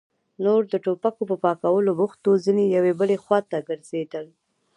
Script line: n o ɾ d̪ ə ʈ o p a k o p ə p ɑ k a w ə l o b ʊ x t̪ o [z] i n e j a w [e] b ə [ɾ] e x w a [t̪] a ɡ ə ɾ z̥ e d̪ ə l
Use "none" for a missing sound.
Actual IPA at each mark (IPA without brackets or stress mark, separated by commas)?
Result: z, e, l, t̪